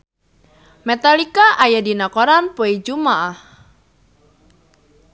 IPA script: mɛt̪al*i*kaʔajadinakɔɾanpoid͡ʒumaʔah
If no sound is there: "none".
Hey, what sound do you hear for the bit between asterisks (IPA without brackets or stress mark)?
i